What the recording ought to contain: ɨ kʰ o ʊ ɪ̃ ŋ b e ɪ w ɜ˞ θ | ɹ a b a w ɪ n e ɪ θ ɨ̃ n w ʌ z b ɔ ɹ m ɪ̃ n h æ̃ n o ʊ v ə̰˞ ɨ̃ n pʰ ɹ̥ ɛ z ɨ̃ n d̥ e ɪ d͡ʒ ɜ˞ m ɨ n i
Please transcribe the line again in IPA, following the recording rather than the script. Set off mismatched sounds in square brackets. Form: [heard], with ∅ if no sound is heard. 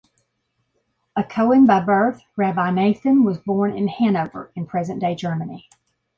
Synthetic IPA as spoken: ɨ kʰ o ʊ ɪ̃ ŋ b [a] ɪ [b] ɜ˞ θ | ɹ [æ] b a [∅] ɪ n e ɪ θ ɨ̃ n w ʌ z b ɔ ɹ [n] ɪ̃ n h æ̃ n o ʊ v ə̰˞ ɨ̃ n pʰ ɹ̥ ɛ z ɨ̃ n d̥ e ɪ d͡ʒ ɜ˞ m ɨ n i